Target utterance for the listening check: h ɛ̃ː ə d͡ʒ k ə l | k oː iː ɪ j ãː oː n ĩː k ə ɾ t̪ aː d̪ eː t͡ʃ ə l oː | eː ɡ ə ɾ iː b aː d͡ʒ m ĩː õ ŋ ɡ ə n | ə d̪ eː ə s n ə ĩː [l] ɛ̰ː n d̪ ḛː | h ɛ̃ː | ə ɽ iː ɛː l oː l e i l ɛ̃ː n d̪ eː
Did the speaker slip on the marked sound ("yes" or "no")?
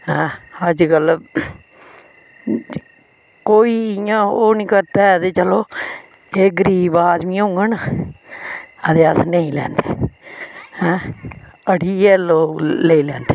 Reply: no